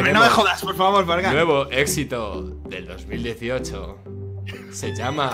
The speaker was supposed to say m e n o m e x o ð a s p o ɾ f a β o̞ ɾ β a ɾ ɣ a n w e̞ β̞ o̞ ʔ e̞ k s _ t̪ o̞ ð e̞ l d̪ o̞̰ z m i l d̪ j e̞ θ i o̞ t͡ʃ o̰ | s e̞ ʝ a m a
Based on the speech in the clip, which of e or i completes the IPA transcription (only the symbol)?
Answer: i